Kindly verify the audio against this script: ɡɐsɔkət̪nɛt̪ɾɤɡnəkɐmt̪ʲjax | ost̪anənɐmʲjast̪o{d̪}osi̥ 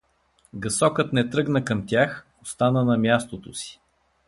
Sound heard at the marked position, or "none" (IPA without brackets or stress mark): t̪